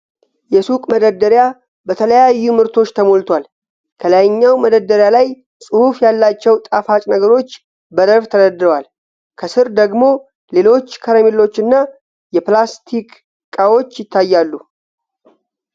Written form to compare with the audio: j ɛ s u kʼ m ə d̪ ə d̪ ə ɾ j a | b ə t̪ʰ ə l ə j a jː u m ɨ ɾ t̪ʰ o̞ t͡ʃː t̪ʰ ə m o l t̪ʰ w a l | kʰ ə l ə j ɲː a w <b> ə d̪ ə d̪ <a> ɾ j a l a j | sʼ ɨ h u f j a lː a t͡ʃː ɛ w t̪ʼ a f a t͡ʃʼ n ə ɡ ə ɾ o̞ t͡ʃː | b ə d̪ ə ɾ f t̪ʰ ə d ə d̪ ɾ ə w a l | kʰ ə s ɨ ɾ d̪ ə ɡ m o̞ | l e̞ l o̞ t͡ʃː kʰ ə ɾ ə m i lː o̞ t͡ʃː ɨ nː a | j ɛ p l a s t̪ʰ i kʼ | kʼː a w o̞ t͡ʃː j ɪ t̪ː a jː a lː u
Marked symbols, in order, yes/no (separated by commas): no, no